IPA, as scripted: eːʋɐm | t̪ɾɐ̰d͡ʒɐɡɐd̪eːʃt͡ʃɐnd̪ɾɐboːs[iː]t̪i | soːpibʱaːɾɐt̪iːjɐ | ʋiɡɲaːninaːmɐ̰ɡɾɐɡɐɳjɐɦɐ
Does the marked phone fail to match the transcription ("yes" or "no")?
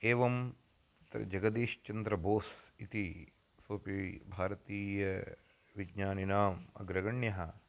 yes